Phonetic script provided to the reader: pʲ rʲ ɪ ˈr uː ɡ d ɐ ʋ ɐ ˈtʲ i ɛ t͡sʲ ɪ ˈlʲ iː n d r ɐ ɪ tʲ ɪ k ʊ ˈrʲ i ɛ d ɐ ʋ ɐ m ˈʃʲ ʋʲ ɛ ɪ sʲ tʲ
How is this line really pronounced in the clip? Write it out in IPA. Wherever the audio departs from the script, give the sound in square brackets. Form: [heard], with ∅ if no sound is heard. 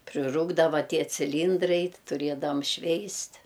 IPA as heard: pʲ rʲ ɪ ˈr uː ɡ d ɐ ʋ ɐ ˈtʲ i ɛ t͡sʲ ɪ ˈlʲ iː n d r ɐ ɪ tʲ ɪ [t] ʊ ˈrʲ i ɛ d ɐ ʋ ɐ m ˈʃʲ ʋʲ ɛ ɪ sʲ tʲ